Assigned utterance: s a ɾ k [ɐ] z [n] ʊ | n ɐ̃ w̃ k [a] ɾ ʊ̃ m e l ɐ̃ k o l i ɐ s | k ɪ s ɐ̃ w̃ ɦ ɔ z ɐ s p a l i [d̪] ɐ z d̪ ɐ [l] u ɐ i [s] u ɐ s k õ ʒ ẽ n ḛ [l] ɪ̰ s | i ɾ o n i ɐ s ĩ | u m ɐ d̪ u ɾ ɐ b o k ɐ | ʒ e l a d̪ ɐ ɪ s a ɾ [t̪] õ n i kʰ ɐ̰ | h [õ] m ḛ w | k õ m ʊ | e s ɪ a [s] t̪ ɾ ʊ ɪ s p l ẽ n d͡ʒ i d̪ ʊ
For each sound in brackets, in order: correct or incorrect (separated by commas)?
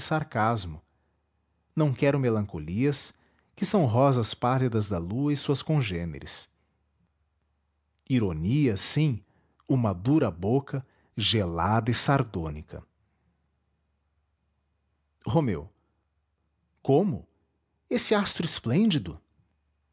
incorrect, incorrect, incorrect, correct, correct, correct, incorrect, incorrect, incorrect, correct